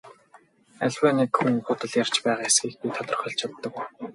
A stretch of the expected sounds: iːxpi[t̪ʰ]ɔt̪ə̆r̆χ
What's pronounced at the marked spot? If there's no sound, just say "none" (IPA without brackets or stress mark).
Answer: t̪ʰ